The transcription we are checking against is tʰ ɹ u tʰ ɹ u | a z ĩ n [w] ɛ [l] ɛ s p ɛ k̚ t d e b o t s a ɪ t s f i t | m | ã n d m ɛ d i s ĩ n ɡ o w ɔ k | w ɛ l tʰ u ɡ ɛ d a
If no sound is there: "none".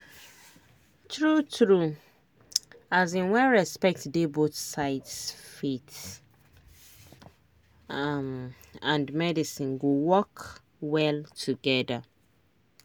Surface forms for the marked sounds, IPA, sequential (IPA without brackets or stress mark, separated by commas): w, ɹ